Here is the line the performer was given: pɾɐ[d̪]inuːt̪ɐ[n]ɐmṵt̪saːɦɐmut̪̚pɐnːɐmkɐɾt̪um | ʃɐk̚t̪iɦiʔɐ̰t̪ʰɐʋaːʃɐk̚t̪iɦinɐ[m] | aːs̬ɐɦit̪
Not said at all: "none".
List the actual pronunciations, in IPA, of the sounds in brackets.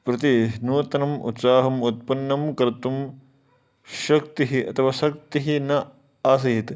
t̪, n, none

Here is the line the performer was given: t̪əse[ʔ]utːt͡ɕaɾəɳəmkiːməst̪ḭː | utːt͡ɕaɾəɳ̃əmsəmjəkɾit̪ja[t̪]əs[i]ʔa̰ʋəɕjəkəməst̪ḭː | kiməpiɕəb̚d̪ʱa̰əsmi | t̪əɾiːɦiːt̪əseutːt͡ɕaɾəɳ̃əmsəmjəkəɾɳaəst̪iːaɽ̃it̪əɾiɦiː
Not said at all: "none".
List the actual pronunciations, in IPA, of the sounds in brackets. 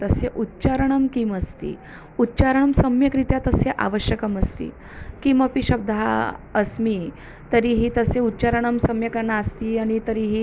ʔ, t̪, e

